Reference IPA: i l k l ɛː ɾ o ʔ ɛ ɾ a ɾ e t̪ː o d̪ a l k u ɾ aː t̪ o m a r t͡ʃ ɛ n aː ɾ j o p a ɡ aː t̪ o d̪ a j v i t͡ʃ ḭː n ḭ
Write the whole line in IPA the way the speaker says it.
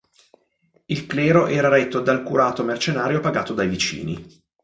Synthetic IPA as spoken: i l k l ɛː ɾ o ʔ ɛː ɾ a ɾ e t̪ː o d̪ a l k u ɾ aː t̪ o m e r t͡ʃ e n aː ɾ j o p a ɡ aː t̪ o d̪ a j v i t͡ʃ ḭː n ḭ